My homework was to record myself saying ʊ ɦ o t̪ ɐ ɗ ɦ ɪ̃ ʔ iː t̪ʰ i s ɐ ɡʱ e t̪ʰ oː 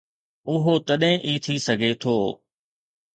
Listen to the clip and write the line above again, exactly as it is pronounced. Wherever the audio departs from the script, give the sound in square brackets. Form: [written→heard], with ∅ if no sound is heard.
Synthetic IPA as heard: ʊ ɦ o t̪ ɐ ɗ ɦ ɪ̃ ʔ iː t̪ʰ i s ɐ ɡʱ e t̪ʰ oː